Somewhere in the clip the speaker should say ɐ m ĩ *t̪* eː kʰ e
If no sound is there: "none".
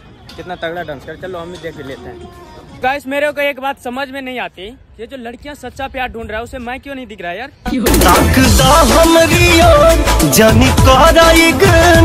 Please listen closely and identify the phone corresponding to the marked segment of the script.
d̪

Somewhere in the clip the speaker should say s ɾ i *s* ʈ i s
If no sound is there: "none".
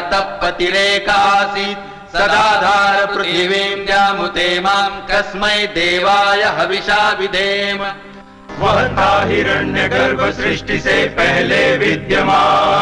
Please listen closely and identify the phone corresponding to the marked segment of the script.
ʂ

